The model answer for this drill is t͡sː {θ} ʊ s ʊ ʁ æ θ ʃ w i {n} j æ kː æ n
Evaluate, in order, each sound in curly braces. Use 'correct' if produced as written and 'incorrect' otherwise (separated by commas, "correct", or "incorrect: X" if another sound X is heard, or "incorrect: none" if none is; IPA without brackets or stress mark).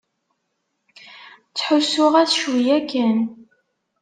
incorrect: ħ, incorrect: none